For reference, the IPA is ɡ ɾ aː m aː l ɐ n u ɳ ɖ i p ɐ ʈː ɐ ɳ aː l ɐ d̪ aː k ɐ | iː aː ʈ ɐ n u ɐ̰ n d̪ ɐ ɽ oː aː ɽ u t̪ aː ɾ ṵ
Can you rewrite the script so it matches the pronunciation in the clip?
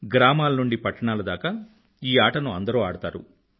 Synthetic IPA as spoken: ɡ ɾ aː m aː l ɐ n u ɳ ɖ i p ɐ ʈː ɐ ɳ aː l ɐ d̪ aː k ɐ | iː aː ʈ ɐ n u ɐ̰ n d̪ ɐ ɾ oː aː ɽ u t̪ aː ɾ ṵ